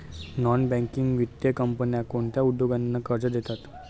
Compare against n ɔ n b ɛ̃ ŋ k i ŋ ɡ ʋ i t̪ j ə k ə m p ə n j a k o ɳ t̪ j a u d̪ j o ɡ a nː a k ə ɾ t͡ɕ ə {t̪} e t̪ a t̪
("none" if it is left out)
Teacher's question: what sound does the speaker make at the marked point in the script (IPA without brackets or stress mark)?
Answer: d̪